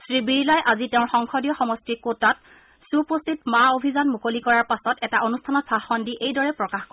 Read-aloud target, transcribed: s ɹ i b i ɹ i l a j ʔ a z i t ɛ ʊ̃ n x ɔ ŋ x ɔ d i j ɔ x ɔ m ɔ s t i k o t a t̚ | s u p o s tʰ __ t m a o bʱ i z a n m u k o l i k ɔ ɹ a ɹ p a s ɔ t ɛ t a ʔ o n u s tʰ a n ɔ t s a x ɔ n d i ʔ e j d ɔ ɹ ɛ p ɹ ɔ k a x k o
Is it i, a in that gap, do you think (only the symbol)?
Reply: i